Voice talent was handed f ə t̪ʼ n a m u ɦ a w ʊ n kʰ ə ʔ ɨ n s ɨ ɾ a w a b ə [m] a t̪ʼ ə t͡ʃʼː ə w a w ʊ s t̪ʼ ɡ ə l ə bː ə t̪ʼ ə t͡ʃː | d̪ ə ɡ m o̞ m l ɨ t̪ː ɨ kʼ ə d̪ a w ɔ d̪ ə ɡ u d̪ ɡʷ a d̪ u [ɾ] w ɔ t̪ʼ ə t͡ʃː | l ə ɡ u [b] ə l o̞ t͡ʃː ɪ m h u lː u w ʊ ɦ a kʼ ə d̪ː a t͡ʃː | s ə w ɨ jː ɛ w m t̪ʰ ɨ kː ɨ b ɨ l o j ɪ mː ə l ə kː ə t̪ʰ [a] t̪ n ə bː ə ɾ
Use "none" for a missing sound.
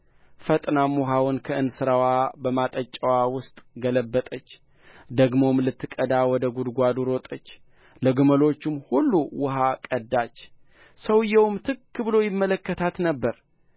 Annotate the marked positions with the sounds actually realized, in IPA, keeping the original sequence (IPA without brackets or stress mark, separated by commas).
m, ɾ, m, a